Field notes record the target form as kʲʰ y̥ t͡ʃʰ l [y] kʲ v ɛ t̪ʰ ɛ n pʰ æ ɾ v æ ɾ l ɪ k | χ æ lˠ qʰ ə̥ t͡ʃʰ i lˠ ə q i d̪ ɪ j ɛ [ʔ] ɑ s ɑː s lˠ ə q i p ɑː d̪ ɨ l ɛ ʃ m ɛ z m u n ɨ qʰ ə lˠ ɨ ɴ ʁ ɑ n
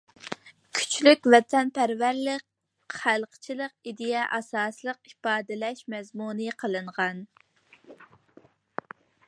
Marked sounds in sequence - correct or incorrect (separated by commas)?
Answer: correct, correct